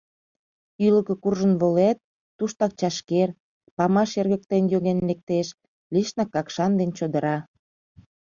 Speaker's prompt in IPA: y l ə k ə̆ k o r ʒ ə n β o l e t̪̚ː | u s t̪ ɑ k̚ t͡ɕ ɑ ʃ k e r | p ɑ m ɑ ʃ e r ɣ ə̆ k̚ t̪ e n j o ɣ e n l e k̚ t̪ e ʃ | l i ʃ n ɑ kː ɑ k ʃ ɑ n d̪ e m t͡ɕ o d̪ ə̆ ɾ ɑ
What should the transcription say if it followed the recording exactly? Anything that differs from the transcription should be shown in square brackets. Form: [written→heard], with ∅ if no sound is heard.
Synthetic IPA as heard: y l ə k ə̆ k [o→u] r ʒ ə n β o l e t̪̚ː | u [s→ʃ] t̪ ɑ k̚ t͡ɕ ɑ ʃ k e r | p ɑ m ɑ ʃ e r ɣ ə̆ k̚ t̪ e n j o ɣ e n l e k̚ t̪ e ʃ | l i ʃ n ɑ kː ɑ k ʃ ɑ n d̪ e [m→n] t͡ɕ o d̪ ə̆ ɾ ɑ

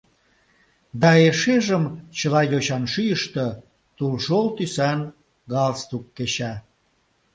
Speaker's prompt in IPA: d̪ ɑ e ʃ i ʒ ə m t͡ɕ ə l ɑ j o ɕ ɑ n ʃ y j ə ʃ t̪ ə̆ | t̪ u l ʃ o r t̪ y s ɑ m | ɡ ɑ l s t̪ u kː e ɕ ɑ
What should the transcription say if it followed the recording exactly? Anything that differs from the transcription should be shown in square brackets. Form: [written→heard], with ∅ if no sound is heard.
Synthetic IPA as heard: d̪ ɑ e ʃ [i→e] ʒ ə m t͡ɕ ə l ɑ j o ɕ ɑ n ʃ y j ə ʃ t̪ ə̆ | t̪ u l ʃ o [r→l] t̪ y s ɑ [m→n] | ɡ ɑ l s t̪ u kː e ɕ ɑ

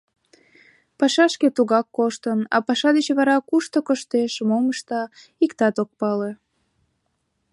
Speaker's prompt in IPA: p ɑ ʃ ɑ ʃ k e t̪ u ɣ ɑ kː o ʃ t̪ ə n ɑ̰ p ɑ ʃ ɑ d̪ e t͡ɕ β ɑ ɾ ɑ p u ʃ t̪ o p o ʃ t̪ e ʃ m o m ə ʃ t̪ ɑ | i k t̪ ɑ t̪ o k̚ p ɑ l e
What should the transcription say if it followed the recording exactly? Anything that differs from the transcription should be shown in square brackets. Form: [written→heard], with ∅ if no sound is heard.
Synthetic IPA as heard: p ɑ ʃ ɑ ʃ k e t̪ u ɣ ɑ kː o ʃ t̪ ə n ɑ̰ p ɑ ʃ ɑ d̪ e t͡ɕ β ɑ ɾ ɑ [p→k] u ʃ t̪ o [p→k] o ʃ t̪ e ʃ m o m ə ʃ t̪ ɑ | i k t̪ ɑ t̪ o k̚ p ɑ l e

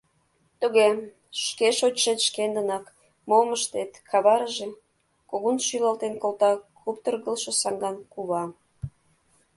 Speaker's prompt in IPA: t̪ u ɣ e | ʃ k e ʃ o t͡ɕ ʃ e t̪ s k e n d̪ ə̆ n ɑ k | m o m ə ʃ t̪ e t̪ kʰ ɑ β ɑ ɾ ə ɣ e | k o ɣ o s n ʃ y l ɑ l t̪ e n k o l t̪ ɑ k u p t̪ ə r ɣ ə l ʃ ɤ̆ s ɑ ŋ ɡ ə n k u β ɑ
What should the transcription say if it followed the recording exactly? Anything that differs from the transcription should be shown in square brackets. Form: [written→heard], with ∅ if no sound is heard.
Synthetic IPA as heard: t̪ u ɣ e | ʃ k e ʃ o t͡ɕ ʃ e t̪ [s→ʃ] k e n d̪ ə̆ n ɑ k | m o m ə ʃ t̪ e t̪ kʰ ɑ β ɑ ɾ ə [ɣ→ʒ] e | k o ɣ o [s→∅] n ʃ y l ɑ l t̪ e n k o l t̪ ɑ k u p t̪ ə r ɣ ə l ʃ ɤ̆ s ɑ ŋ ɡ [ə→ɑ] n k u β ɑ

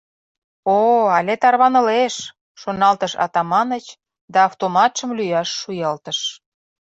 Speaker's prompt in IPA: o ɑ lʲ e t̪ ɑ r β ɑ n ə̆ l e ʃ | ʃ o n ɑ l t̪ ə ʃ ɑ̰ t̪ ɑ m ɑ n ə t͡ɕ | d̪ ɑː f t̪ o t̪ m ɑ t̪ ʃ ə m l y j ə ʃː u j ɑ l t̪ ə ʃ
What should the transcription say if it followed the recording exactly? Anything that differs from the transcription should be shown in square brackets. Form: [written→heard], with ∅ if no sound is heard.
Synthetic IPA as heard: o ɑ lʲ e t̪ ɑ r β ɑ n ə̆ l e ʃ | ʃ o n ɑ l t̪ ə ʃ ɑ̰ t̪ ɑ m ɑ n ə t͡ɕ | d̪ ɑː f t̪ o [t̪→∅] m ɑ t̪ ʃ ə m l y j [ə→ɑ] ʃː u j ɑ l t̪ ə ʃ

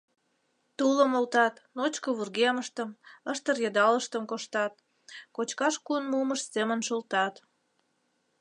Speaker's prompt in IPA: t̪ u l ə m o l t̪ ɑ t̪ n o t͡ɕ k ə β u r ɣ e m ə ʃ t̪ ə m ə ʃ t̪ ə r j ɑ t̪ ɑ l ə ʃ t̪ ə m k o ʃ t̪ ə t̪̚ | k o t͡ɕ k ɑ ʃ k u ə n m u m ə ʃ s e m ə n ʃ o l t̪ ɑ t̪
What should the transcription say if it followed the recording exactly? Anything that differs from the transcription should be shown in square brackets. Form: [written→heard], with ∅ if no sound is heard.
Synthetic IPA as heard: t̪ u l ə m o l t̪ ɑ t̪ n o t͡ɕ k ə β u r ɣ e m ə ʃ t̪ ə m ə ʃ t̪ ə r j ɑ [t̪→d̪] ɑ l ə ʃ t̪ ə m k o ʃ t̪ [ə→ɑ] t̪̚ | k o t͡ɕ k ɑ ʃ k u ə n m u m ə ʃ s e m ə n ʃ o l t̪ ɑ t̪

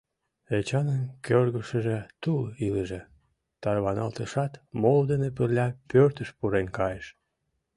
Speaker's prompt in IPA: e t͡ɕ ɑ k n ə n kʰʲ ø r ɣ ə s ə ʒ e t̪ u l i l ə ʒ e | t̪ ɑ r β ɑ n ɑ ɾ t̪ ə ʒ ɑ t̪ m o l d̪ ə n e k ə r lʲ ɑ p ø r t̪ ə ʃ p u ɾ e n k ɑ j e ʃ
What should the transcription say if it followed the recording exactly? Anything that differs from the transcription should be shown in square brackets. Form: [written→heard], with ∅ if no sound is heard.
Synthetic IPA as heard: e t͡ɕ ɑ [k→∅] n ə n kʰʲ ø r ɣ ə [s→ʃ] ə ʒ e t̪ u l i l ə ʒ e | t̪ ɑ r β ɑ n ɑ [ɾ→l] t̪ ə [ʒ→ʃ] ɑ t̪ m o l d̪ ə n e [k→p] ə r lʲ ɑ p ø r t̪ ə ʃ p u ɾ e n k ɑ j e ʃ

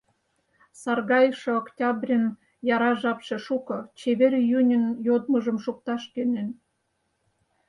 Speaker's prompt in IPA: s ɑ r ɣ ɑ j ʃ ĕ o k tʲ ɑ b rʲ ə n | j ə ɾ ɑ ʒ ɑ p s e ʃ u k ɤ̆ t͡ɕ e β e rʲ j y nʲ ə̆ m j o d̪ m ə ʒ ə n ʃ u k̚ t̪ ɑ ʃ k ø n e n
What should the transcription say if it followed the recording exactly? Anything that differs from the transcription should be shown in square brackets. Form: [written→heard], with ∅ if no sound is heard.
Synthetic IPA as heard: s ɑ r ɣ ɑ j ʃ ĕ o k tʲ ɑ b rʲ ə n | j [ə→ɑ] ɾ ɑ ʒ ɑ p [s→ʃ] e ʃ u k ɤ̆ t͡ɕ e β e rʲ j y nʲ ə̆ [m→n] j o d̪ m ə ʒ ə [n→m] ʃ u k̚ t̪ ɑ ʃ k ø n e n

